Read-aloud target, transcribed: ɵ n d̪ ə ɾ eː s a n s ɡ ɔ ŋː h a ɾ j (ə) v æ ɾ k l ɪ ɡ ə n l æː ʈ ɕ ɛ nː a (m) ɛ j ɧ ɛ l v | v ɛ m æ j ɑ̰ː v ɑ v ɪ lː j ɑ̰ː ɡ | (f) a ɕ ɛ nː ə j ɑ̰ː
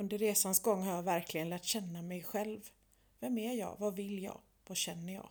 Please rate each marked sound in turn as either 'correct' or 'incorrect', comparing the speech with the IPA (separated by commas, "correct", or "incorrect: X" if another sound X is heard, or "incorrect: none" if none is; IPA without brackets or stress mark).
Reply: incorrect: ɑ, correct, incorrect: v